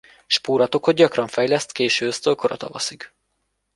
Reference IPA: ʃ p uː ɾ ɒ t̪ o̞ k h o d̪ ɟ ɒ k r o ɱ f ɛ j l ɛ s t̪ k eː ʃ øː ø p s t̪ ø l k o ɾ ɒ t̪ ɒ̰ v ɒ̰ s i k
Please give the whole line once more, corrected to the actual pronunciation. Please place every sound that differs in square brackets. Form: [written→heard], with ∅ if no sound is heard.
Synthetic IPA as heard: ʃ p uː ɾ ɒ t̪ o̞ k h o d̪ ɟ ɒ k r [o→ɒ] ɱ f ɛ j l ɛ s t̪ k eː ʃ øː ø [p→∅] s t̪ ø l k o ɾ ɒ t̪ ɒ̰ v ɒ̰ s i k